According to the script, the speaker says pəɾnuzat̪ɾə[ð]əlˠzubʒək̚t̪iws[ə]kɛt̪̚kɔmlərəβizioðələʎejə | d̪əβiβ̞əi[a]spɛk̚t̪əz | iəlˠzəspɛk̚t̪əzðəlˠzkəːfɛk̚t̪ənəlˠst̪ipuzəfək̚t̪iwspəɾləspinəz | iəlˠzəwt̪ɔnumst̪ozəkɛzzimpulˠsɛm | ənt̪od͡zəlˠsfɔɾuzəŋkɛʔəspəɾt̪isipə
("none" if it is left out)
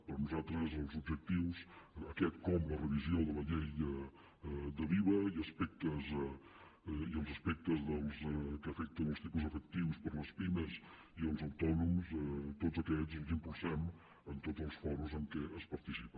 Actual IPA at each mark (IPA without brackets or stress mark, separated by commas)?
z, ə, ə